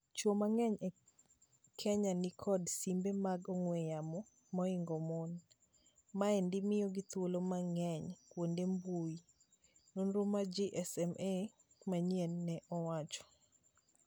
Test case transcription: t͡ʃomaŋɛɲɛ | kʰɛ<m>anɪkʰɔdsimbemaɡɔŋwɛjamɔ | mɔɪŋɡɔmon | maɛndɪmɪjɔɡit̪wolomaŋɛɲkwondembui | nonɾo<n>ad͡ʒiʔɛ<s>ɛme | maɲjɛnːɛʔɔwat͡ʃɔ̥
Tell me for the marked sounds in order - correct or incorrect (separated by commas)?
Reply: incorrect, incorrect, correct